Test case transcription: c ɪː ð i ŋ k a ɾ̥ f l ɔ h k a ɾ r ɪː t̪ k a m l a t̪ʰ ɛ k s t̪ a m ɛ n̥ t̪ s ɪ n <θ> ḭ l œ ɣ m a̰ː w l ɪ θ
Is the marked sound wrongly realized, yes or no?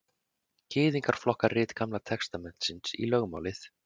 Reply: yes